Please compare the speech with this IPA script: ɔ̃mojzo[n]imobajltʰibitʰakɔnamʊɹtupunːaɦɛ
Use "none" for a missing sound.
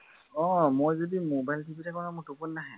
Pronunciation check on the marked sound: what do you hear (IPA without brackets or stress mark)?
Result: d